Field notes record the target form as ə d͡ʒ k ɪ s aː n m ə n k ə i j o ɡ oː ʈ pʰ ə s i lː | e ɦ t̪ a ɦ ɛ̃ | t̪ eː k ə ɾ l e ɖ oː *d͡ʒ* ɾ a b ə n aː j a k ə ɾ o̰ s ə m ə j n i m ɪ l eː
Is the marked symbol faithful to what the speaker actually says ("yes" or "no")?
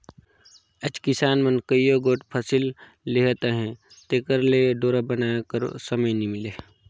no